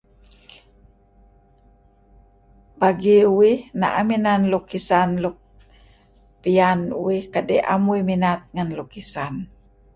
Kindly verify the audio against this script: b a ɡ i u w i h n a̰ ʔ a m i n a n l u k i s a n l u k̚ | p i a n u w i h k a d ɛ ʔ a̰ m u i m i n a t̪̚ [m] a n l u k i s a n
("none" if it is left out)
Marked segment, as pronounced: ŋ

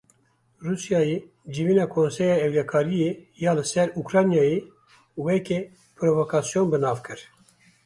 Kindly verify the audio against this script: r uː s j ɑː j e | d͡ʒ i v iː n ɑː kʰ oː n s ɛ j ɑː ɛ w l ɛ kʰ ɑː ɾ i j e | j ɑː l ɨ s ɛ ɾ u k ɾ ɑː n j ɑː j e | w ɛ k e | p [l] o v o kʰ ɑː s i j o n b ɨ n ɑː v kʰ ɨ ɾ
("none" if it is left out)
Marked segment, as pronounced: ɾ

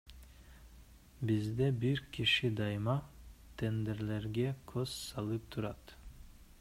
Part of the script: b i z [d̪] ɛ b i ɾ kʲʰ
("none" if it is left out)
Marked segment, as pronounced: d̪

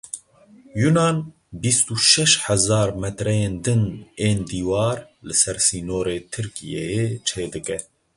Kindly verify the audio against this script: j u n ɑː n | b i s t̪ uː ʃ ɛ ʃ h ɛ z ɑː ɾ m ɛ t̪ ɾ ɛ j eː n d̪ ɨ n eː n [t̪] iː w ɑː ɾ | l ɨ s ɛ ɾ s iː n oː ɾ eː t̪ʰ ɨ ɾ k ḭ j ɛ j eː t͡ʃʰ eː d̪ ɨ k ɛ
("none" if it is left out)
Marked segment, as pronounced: d̪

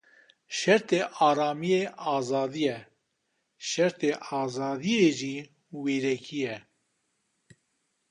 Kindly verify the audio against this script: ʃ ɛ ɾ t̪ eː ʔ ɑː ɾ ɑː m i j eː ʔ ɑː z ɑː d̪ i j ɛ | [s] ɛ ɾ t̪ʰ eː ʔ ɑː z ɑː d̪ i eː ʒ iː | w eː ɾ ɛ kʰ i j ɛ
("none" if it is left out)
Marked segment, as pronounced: ʃ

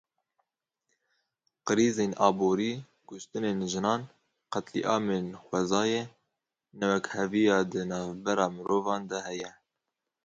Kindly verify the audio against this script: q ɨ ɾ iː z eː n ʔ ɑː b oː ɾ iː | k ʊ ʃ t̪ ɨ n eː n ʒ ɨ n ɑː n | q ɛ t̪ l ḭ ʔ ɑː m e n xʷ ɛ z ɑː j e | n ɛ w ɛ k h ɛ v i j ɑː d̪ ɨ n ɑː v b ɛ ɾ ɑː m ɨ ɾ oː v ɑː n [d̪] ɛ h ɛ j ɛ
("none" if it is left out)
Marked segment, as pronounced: d̪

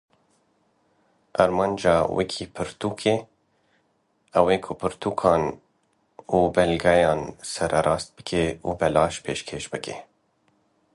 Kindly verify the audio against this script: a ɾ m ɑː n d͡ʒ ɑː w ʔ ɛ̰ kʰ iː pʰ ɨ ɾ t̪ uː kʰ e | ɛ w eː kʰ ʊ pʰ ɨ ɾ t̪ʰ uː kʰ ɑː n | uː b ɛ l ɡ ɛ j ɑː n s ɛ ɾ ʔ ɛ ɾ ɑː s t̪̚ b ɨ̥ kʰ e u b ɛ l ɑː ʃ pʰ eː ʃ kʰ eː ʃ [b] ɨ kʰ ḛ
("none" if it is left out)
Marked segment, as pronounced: b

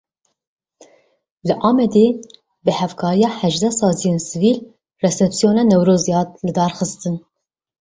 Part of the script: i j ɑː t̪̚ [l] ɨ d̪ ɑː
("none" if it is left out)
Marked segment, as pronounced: l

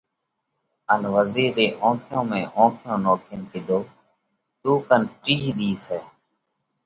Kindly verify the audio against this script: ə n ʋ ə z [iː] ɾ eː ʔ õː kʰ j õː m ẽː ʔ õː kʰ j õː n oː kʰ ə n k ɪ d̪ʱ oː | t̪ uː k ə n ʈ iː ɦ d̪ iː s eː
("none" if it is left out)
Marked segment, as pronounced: iː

